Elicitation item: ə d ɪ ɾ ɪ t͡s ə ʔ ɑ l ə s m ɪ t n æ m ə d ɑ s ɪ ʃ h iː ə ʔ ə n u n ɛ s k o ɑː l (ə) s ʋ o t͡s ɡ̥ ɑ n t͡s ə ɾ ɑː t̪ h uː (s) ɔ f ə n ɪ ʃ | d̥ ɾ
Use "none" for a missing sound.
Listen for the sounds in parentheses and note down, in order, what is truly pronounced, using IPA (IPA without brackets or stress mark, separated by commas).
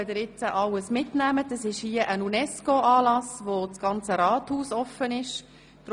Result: ɑ, s